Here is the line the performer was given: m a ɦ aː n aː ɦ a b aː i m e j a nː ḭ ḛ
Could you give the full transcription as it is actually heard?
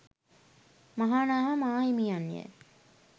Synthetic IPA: m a ɦ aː n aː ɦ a m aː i m i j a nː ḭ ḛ

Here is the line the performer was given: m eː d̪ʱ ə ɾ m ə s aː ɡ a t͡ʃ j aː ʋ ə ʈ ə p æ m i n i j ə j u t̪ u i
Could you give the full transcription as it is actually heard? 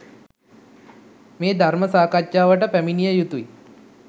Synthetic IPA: m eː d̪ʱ a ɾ m ə s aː k a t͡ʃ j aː ʋ ə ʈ ə p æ m i n i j ə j u t̪ u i

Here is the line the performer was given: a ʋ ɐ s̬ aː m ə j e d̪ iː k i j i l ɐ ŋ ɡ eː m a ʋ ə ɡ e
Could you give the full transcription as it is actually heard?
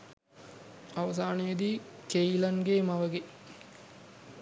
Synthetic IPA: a ʋ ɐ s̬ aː n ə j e d̪ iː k e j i l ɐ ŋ ɡ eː m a ʋ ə ɡ e

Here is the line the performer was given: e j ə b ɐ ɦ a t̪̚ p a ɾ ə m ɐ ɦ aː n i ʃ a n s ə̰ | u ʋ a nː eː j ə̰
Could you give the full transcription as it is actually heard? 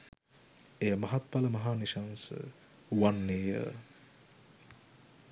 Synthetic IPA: e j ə m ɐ ɦ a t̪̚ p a l ə m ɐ ɦ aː n i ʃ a n s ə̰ | u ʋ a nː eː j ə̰

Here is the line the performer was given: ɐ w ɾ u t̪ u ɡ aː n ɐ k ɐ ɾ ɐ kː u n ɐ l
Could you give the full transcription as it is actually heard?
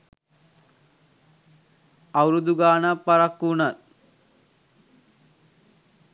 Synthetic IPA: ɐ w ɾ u d̪ u ɡ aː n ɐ p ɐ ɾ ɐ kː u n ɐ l

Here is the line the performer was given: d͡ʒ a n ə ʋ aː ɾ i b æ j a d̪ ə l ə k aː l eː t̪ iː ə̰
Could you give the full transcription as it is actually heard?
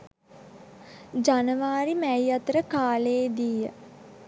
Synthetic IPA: d͡ʒ a n ə ʋ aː ɾ i m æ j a t̪ ə ɾ ə k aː l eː d̪ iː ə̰

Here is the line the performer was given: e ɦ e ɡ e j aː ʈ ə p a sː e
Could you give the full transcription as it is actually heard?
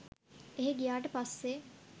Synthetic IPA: e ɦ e ɡ i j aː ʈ ə p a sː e

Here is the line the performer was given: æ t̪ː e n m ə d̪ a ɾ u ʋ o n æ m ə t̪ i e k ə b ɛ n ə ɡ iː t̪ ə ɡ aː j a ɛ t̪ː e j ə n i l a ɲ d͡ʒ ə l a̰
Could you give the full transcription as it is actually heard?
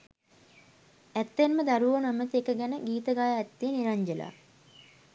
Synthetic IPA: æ t̪ː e n m ə d̪ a ɾ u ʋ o n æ m ə t̪ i e k ə ɡ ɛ n ə ɡ iː t̪ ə ɡ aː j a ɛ t̪ː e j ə n i ɾ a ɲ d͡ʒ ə l a̰

